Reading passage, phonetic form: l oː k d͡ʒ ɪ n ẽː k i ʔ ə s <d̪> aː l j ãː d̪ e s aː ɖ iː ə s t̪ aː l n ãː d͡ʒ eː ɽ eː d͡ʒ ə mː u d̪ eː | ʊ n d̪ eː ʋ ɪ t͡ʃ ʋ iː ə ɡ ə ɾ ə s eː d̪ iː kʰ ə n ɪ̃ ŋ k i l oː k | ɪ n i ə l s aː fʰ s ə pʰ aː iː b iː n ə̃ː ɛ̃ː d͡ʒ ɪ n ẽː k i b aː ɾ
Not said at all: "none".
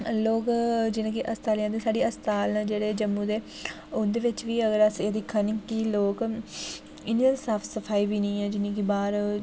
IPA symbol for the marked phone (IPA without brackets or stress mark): t̪